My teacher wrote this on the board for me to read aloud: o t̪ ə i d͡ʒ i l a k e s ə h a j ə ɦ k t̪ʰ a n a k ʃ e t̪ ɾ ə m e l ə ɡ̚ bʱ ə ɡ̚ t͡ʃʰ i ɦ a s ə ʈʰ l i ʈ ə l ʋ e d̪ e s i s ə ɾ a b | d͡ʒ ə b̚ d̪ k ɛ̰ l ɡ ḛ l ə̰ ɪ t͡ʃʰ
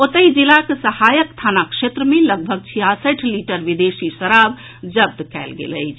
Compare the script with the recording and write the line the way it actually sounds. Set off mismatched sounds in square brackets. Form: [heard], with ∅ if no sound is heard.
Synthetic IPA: o t̪ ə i d͡ʒ i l a k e s ə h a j ə [∅] k t̪ʰ a n a k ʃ e t̪ ɾ ə m e l ə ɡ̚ bʱ ə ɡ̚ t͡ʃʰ i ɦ a s ə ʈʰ l i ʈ ə [ɾ] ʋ [i] d̪ e s i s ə ɾ a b | d͡ʒ ə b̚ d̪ k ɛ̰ l ɡ ḛ l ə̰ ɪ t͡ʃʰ